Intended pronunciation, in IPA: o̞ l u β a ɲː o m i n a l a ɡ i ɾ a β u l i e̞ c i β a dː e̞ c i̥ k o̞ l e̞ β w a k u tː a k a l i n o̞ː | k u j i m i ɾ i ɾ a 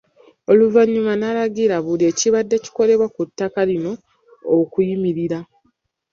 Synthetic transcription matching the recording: o̞ l u v a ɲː u m a n a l a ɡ i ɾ a β u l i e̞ c i β a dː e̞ c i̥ k o̞ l e̞ β w a k u tː a k a l i n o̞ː | k u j i m i ɾ i ɾ a